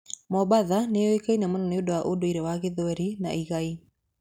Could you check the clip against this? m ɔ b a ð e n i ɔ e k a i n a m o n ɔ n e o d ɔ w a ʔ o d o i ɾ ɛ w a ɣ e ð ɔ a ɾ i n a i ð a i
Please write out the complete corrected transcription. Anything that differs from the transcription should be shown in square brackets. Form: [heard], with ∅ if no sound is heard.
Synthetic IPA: m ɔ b a ð [a] n [e] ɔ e k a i n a m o n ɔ n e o d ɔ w a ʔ o d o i ɾ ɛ w a ɣ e ð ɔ [ɛ] ɾ i n a i [ɣ] a i